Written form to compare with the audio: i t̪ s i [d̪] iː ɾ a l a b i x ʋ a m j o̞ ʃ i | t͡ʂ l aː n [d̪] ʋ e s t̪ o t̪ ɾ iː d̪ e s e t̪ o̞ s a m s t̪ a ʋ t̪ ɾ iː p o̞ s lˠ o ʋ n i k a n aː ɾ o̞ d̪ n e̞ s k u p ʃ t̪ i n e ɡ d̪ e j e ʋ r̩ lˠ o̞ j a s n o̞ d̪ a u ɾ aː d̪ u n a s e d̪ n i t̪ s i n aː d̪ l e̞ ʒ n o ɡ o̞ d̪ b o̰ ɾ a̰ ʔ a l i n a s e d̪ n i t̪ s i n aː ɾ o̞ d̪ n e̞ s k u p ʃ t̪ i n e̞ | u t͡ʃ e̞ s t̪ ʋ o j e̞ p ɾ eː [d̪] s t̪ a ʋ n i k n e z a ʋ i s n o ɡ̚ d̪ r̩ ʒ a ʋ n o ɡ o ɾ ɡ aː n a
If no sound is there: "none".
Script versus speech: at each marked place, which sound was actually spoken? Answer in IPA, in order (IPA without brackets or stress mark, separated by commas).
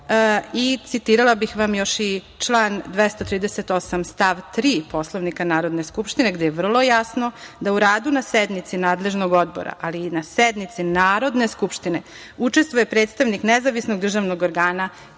t̪, d̪, t̪